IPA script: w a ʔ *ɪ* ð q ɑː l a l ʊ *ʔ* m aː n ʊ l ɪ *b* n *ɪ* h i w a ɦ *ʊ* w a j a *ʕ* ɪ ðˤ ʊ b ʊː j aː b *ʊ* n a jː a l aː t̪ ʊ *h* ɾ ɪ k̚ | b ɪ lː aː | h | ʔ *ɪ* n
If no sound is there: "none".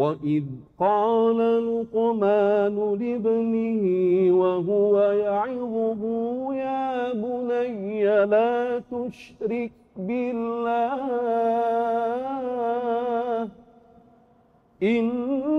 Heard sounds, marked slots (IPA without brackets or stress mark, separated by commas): ɪ, q, b, ɪ, ʊ, ʕ, ʊ, ʃ, ɪ